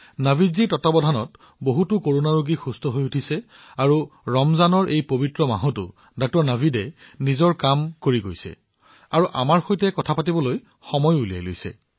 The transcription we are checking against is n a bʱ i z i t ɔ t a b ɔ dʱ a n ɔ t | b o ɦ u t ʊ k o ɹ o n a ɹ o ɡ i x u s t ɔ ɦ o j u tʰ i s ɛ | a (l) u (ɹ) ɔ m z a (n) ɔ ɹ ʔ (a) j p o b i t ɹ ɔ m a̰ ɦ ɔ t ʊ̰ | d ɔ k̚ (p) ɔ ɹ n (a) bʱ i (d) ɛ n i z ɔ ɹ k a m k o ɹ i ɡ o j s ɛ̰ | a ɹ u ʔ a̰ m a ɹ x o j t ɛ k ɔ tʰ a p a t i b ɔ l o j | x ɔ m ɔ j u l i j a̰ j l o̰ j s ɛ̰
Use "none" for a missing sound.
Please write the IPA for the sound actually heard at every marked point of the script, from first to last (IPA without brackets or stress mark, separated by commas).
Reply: ɹ, ɹ, n, e, t, a, d